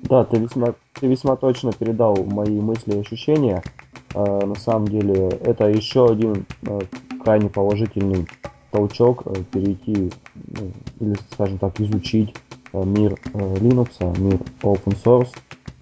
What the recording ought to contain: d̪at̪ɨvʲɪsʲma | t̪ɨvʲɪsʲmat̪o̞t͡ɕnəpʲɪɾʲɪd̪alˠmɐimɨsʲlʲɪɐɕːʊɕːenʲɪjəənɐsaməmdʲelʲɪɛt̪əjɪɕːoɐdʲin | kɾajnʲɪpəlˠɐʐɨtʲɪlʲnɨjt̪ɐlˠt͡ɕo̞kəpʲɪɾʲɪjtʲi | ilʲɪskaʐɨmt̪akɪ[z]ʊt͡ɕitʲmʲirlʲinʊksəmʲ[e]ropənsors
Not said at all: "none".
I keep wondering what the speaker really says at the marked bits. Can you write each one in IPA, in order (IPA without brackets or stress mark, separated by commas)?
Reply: z, i